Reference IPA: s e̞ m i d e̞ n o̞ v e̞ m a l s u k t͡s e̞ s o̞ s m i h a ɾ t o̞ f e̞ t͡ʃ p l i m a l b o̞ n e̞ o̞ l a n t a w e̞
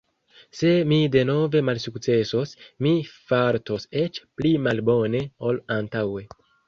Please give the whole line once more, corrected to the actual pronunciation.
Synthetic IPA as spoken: s e̞ m i d e̞ n o̞ v e̞ m a l s u k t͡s e̞ s o̞ s m i f a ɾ t o̞ s e̞ t͡ʃ p l i m a l b o̞ n e̞ o̞ l a n t a w e̞